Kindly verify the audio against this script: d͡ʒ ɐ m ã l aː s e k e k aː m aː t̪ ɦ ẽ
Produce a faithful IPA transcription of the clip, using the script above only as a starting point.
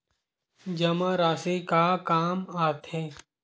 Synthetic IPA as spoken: d͡ʒ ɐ m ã ɾ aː s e k a k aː m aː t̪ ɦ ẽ